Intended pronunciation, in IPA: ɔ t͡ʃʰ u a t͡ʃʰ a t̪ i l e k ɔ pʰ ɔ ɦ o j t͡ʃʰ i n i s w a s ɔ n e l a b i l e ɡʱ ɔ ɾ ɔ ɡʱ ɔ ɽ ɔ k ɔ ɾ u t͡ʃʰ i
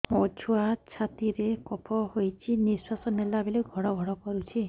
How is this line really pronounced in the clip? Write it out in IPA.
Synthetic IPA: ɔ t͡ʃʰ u a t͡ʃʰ a t̪ i ɾ e k ɔ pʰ ɔ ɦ o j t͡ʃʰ i n i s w a s ɔ n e l a b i l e ɡʱ ɔ ɽ ɔ ɡʱ ɔ ɽ ɔ k ɔ ɾ u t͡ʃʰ i